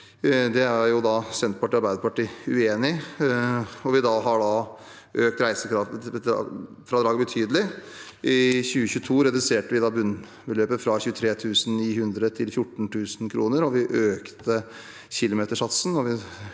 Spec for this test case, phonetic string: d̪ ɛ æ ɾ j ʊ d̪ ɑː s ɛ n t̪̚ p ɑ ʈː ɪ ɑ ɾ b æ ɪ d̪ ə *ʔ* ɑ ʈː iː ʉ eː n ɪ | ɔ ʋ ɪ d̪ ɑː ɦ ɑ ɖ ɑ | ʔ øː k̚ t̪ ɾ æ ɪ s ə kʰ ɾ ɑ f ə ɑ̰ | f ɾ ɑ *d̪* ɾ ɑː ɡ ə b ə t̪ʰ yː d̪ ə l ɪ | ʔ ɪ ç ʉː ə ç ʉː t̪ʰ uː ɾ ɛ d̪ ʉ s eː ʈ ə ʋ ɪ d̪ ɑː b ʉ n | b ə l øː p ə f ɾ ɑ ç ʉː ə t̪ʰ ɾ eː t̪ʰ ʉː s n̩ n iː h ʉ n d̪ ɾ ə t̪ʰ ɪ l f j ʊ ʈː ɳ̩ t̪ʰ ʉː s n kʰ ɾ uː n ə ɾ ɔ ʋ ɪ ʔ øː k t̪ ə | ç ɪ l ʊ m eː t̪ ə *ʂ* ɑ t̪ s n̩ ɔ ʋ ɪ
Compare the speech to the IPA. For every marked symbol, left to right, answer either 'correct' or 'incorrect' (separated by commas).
incorrect, correct, correct